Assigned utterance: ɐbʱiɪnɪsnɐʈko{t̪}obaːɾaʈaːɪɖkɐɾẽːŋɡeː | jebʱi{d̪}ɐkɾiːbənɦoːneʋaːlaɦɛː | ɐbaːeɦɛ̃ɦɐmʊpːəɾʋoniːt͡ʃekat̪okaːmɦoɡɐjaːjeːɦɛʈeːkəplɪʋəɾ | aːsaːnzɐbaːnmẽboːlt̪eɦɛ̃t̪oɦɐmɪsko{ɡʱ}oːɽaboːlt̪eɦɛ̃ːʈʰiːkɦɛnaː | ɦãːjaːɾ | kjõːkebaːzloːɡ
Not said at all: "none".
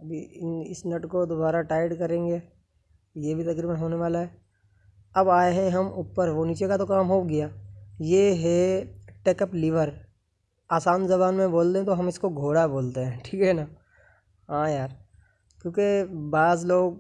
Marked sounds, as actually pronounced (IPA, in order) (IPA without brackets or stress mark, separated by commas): d̪, t̪, ɡʱ